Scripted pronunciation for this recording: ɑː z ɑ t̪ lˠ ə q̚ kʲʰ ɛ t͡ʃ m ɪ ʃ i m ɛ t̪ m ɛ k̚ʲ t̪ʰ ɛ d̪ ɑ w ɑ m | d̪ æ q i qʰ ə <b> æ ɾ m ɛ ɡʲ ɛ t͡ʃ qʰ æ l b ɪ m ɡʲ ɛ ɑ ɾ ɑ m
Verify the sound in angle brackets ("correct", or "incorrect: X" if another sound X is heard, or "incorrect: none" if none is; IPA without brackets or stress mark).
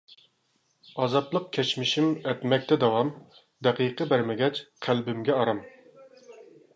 correct